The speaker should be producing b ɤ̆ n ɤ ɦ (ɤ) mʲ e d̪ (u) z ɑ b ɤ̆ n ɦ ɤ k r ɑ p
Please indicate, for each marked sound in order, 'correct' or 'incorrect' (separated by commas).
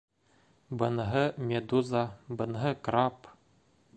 correct, correct